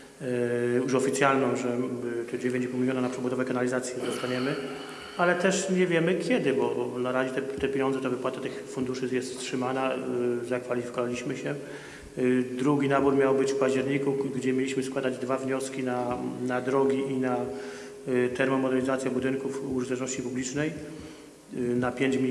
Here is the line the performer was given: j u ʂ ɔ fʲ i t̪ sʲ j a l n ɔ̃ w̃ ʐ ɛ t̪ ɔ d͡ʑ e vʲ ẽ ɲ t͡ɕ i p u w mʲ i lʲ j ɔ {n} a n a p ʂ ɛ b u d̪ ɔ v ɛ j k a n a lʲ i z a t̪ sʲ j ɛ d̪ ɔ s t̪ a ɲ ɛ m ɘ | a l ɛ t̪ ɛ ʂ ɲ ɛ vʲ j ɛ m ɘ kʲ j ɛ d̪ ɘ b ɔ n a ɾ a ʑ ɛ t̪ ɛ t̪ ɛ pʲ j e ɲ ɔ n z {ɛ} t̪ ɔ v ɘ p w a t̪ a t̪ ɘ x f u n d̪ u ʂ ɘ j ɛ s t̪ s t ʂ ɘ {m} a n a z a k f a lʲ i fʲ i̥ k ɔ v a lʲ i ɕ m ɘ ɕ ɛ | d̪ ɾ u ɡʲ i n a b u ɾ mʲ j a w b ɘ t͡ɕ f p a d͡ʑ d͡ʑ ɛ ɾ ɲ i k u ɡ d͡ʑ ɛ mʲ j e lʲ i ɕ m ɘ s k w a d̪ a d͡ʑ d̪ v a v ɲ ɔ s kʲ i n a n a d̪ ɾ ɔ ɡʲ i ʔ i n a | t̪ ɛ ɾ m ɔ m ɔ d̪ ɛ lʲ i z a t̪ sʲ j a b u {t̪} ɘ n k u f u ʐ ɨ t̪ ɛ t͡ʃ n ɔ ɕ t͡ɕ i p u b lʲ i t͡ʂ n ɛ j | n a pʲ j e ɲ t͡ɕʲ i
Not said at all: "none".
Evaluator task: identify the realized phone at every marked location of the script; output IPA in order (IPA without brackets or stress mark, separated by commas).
n, ɛ, m, d̪